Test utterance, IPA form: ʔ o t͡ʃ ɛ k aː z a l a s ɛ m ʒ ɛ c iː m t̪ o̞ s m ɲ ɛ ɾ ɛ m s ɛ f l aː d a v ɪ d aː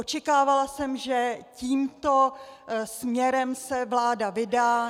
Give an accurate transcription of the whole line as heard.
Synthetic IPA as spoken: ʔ o t͡ʃ ɛ k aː v a l a s ɛ m ʒ ɛ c iː m t̪ o̞ s m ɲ ɛ ɾ ɛ m s ɛ v l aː d a v ɪ d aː

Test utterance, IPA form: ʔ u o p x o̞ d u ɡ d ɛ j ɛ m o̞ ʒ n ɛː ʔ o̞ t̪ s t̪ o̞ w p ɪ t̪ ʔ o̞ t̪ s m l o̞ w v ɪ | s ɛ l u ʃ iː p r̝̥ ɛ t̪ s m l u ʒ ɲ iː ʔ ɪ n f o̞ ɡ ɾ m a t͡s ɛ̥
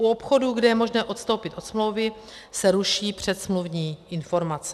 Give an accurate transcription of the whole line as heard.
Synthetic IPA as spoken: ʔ u o p x o̞ d u ɡ d ɛ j ɛ m o̞ ʒ n ɛː ʔ o̞ t̪ s t̪ o̞ w p ɪ t̪ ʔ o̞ t̪ s m l o̞ w v ɪ | s ɛ ɾ u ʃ iː p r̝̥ ɛ t̪ s m l u v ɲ iː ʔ ɪ n f o̞ ɾ m a t͡s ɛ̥

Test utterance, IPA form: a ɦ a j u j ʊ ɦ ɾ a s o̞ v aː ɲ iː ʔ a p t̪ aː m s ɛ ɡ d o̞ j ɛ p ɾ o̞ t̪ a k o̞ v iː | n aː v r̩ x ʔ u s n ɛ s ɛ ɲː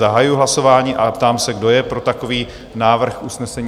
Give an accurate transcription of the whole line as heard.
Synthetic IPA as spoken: a ɦ a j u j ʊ ɦ l a s o̞ v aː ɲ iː ʔ a p t̪ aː m s ɛ ɡ d o̞ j ɛ p ɾ o̞ t̪ a k o̞ v iː | n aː v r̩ x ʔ u s n ɛ s ɛ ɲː

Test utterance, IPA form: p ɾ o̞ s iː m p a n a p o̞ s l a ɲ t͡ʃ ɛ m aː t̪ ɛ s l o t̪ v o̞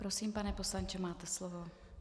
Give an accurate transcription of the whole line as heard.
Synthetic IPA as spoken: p ɾ o̞ s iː m p a n ɛ p o̞ s l a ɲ t͡ʃ ɛ m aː t̪ ɛ s l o v o̞

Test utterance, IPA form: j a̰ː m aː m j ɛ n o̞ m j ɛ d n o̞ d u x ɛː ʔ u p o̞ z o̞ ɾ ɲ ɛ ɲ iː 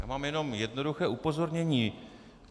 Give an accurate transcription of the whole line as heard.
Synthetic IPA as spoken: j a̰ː m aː m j ɛ n o̞ m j ɛ d n o̞ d u x ɛː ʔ u p o̞ z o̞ ɾ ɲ ɛ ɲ iː

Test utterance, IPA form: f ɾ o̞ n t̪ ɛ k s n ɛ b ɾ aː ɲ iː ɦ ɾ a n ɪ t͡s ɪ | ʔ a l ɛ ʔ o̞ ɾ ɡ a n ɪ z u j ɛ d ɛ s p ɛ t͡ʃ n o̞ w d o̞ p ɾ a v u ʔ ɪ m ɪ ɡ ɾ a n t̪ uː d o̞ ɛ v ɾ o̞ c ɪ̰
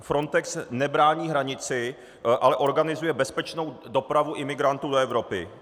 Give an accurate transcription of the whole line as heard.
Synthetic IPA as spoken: f ɾ o̞ n t̪ ɛ k s n ɛ b ɾ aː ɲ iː ɦ ɾ a ɲ ɪ t͡s ɪ | ʔ a l ɛ ʔ o̞ ɾ ɡ a n ɪ z u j ɛ b ɛ s p ɛ t͡ʃ n o̞ w d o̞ p ɾ a v u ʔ ɪ m ɪ ɡ ɾ a n t̪ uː d o̞ ɛ v ɾ o̞ p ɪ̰

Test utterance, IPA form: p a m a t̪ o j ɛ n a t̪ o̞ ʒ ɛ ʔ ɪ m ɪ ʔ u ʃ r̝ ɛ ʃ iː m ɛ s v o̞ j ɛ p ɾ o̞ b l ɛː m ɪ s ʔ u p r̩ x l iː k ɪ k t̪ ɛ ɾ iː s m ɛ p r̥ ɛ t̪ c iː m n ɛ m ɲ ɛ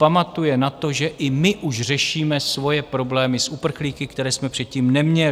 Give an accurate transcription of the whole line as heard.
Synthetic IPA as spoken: p a m a t̪ u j ɛ n a t̪ o̞ ʒ ɛ ʔ ɪ m ɪ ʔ u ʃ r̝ ɛ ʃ iː m ɛ s v o̞ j ɛ p ɾ o̞ b l ɛː m ɪ s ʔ u p r̩ x l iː k ɪ k t̪ ɛ ɾ ɛː s m ɛ p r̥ ɛ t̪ c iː m n ɛ m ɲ ɛ

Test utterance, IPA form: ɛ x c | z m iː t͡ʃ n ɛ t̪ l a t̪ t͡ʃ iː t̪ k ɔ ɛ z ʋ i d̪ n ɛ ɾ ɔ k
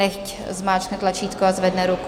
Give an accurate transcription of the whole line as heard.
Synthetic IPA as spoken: ɛ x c | z m aː t͡ʃ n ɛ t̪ l a t͡ʃ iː t̪ k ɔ a z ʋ ɛ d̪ n ɛ ɾ u k

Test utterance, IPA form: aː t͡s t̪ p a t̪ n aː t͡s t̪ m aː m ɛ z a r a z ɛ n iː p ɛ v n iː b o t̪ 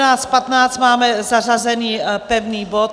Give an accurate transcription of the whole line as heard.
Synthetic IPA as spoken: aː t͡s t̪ p a t̪ n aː t͡s t̪ m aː m ɛ z a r a z ɛ n iː p ɛ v n iː b o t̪

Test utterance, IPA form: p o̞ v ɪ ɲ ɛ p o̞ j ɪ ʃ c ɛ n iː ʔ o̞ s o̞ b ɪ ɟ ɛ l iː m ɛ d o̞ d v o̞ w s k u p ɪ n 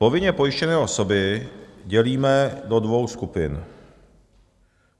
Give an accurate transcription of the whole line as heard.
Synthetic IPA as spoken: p o̞ v ɪ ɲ ɛ p o̞ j ɪ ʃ c ɛ n ɛː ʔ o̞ s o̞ b ɪ ɟ ɛ l iː m ɛ d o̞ d v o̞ w s k u p ɪ n

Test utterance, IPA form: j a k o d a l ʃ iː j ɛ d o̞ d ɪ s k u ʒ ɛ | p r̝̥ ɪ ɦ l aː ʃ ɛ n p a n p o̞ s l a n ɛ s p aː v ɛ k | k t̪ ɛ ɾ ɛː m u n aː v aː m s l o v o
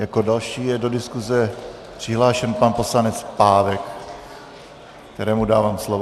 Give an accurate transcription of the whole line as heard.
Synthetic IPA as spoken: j a k o d a l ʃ iː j ɛ d o̞ d ɪ s k u z ɛ | p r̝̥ ɪ ɦ l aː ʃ ɛ n p a n p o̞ s l a n ɛ t͡s p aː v ɛ k | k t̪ ɛ ɾ ɛː m u d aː v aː m s l o v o

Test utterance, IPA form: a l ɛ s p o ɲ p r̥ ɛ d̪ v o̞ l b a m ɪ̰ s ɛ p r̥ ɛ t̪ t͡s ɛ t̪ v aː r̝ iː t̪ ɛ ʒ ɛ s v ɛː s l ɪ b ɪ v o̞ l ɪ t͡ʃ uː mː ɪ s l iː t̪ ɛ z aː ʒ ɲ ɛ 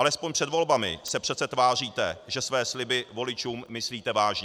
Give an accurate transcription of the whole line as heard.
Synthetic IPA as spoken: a l ɛ s p o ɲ p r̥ ɛ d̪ v o̞ l b a m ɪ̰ s ɛ p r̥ ɛ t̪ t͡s ɛ t̪ v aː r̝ iː t̪ ɛ ʒ ɛ s v ɛː s l ɪ b ɪ v o̞ l ɪ t͡ʃ uː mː ɪ s l iː t̪ ɛ v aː ʒ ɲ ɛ

